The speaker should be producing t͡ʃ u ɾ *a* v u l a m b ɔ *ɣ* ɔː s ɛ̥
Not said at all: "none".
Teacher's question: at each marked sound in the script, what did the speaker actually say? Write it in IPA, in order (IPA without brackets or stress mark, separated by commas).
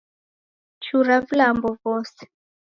a, v